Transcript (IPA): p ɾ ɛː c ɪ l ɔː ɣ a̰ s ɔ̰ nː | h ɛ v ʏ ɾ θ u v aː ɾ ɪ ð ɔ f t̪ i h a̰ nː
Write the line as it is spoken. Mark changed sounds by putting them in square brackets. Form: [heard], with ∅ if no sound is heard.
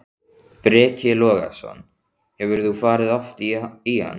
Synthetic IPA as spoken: p ɾ ɛː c ɪ l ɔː ɣ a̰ s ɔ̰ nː | h ɛ v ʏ ɾ θ u [f] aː ɾ ɪ ð ɔ f t̪ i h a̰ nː